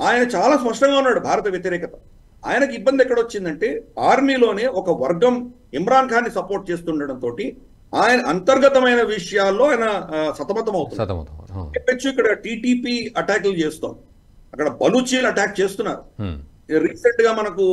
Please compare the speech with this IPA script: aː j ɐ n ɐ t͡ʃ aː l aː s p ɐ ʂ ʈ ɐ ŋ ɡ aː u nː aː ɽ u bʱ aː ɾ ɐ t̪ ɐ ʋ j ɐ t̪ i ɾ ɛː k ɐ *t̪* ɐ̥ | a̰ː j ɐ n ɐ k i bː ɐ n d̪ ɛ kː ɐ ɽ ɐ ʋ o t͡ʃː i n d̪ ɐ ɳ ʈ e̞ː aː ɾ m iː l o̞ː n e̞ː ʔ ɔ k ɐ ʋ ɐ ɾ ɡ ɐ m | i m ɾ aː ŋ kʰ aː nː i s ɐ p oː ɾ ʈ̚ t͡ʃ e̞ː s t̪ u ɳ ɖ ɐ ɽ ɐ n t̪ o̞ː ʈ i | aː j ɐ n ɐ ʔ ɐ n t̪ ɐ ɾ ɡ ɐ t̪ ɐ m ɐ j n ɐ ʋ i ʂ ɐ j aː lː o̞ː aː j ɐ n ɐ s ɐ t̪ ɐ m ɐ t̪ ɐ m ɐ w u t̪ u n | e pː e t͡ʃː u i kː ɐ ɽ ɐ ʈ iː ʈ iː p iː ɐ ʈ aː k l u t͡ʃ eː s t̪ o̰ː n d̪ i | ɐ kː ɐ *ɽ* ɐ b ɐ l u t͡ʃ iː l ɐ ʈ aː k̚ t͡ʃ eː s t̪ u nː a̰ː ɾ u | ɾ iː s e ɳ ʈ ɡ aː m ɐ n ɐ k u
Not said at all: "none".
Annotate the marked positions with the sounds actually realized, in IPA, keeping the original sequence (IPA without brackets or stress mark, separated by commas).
t̪, ɽ